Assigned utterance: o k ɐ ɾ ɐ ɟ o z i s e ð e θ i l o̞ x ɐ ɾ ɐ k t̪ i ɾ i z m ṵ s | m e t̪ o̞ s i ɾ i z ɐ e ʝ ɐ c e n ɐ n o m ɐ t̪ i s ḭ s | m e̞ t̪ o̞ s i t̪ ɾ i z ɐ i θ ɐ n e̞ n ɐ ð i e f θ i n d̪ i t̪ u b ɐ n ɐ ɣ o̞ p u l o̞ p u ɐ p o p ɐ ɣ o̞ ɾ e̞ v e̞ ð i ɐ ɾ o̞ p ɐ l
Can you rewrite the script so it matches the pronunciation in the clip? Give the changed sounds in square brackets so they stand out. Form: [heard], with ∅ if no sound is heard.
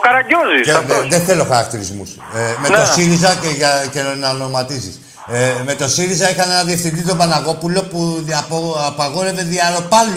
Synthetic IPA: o k ɐ ɾ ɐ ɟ o z i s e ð e θ [e] l o̞ x ɐ ɾ ɐ k t̪ i ɾ i z m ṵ s | m e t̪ o̞ s i ɾ i z ɐ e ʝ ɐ c e n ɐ n o m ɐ t̪ i s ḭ s | m e̞ t̪ o̞ s i [∅] ɾ i z ɐ i [x] ɐ n e̞ n ɐ ð i e f θ i n d̪ i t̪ [o] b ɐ n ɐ ɣ o̞ p u l o̞ p u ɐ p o p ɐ ɣ o̞ ɾ e̞ v e̞ ð i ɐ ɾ o̞ p ɐ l